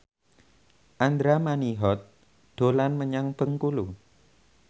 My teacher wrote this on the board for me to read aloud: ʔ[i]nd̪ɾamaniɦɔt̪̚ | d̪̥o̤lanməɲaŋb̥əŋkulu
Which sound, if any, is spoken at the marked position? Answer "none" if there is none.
a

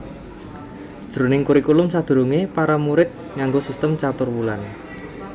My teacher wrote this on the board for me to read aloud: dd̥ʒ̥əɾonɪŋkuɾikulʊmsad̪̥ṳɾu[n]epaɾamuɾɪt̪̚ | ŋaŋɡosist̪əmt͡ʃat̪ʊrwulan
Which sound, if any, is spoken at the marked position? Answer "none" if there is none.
ŋ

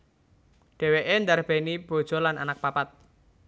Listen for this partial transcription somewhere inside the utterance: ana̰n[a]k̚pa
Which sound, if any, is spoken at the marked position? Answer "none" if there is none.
a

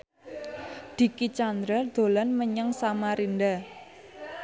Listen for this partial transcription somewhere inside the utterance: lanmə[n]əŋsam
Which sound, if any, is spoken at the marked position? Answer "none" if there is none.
ɲ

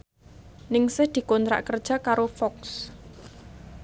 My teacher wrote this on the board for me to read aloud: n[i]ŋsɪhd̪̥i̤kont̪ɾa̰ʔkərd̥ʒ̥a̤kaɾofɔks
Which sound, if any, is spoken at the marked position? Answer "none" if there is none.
ɪ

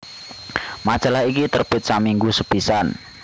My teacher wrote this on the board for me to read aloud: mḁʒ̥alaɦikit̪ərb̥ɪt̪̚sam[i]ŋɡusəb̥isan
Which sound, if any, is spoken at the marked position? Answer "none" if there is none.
i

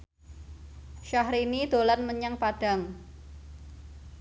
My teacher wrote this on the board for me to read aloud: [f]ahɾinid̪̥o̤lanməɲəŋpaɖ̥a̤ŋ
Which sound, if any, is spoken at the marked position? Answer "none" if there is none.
ʃ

